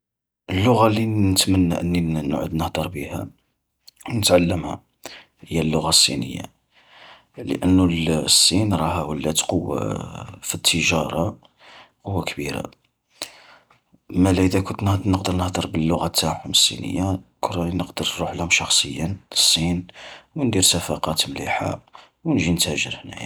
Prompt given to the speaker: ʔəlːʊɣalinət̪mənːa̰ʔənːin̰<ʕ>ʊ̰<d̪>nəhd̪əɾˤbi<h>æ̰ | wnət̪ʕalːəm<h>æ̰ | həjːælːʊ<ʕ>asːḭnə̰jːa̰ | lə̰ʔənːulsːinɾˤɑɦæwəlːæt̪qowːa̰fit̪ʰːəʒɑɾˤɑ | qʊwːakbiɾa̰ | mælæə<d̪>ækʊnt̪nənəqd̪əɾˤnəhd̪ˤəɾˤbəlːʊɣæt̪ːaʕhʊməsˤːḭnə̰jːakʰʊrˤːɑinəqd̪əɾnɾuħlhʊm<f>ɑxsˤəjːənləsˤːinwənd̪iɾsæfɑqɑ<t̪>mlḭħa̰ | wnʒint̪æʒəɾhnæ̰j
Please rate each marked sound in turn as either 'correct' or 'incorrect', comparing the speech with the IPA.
correct, correct, correct, correct, incorrect: ɣ, correct, incorrect: ʃ, correct

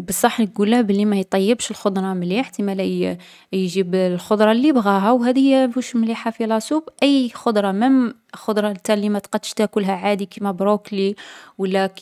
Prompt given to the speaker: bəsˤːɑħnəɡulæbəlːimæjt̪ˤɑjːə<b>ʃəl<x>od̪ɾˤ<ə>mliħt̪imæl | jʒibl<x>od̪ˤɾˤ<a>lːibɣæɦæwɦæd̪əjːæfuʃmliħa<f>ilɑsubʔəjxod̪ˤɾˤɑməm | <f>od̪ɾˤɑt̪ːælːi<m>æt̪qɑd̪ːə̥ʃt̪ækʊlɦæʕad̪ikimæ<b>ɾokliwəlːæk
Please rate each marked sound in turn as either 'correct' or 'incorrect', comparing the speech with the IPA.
correct, correct, incorrect: ɑ, correct, incorrect: ɑ, correct, incorrect: x, correct, correct

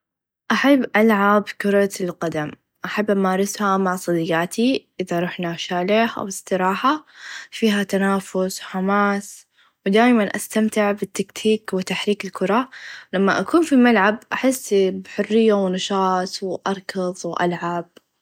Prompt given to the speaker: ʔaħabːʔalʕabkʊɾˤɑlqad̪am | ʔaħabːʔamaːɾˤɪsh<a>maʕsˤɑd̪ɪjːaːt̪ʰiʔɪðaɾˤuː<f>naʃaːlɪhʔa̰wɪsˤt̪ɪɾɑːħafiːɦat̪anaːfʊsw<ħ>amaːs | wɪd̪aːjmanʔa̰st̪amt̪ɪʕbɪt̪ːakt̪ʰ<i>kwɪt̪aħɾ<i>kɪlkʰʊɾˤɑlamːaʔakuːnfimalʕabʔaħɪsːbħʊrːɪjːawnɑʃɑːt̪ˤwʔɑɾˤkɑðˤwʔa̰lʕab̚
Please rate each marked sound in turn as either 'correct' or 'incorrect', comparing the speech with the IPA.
correct, incorrect: ħ, correct, incorrect: iː, incorrect: iː

